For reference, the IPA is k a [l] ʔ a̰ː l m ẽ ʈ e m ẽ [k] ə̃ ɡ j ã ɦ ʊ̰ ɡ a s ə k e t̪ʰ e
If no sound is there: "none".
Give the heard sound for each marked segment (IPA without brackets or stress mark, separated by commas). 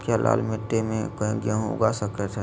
l, k